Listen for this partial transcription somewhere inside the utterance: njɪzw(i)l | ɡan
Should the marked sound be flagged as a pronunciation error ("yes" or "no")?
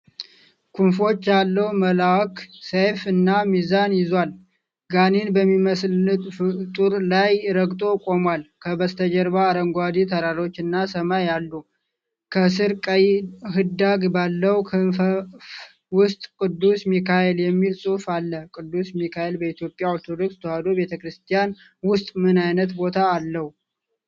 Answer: yes